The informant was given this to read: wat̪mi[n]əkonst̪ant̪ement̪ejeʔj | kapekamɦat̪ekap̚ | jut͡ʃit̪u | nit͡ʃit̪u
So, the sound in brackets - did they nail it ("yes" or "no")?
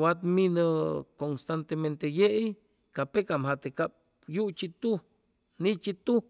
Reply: yes